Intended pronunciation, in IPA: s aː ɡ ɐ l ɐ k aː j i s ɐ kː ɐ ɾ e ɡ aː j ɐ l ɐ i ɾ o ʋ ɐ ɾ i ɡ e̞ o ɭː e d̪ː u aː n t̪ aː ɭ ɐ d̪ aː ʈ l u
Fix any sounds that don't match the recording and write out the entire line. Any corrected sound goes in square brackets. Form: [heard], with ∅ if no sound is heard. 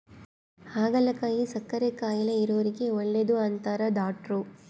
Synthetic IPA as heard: [h] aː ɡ ɐ l ɐ k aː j i s ɐ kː ɐ ɾ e [k] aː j ɐ l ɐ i ɾ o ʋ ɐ ɾ i ɡ e̞ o ɭː e [d̪] u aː n t̪ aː [ɾ] ɐ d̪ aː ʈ [ɾ] u